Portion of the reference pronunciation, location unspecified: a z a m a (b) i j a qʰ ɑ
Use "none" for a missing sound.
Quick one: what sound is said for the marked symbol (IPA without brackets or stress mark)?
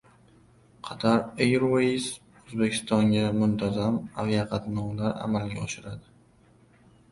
v